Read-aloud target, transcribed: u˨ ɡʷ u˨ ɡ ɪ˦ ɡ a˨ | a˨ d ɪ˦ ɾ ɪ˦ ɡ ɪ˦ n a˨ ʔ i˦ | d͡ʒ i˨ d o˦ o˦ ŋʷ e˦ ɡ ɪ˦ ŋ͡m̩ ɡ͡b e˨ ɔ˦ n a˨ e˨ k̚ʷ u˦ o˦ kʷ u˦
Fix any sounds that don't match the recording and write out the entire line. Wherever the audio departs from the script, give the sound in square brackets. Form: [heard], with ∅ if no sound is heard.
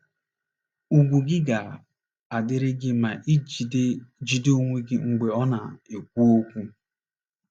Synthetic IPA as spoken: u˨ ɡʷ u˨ ɡ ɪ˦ ɡ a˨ | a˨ d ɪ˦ ɾ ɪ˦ ɡ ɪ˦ [m] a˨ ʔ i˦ | d͡ʒ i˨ d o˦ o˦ ŋʷ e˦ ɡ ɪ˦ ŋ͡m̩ ɡ͡b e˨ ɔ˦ n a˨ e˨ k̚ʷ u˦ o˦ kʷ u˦